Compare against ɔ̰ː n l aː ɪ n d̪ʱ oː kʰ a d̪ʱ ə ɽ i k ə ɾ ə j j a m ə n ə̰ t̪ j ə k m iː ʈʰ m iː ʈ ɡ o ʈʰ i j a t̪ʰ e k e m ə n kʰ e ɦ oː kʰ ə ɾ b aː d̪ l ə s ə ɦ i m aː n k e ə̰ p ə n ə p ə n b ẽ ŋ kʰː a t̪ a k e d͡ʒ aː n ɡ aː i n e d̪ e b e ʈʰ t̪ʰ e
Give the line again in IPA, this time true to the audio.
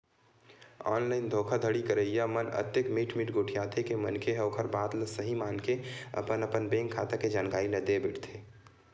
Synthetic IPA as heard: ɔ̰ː n l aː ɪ n d̪ʱ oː kʰ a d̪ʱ ə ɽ i k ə ɾ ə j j a m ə n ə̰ t̪ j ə k m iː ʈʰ m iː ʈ ɡ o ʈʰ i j a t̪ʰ e k e m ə n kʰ e ɦ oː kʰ ə ɾ b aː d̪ l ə s ə ɦ i m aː n k e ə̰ p ə n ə p ə n b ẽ ŋ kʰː a t̪ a k e d͡ʒ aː n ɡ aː i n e d̪ e b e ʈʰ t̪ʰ e